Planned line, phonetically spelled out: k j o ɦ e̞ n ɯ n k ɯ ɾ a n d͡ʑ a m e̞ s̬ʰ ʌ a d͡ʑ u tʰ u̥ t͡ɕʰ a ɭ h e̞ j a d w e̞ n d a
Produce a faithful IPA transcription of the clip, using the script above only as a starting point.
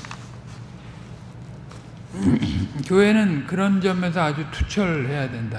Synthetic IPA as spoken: k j o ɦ e̞ n ɯ n k ɯ ɾ ʌ n d͡ʑ ʌ m e̞ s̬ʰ ʌ a d͡ʑ u tʰ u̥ t͡ɕʰ ʌ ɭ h e̞ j a d w e̞ n d a